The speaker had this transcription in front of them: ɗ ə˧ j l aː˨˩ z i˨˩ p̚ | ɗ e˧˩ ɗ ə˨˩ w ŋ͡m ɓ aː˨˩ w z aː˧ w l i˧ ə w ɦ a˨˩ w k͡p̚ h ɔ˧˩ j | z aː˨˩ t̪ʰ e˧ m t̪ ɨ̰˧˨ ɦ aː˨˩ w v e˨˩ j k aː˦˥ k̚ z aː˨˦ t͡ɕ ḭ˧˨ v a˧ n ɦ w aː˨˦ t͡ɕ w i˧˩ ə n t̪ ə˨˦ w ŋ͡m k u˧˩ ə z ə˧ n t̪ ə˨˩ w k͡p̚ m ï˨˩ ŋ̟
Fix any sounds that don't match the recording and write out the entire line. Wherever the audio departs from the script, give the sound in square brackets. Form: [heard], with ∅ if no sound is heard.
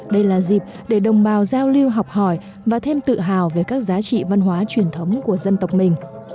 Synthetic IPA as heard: ɗ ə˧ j l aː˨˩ z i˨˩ p̚ | ɗ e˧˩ ɗ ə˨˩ w ŋ͡m ɓ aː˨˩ w z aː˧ w l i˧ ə w ɦ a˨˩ w k͡p̚ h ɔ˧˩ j | [v] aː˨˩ t̪ʰ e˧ m t̪ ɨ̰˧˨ ɦ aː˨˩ w v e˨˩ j k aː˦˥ k̚ z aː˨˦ t͡ɕ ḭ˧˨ v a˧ n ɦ w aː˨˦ t͡ɕ w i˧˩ ə n [t̪ʰ] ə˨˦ w ŋ͡m k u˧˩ ə z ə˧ n t̪ ə˨˩ w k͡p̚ m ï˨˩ ŋ̟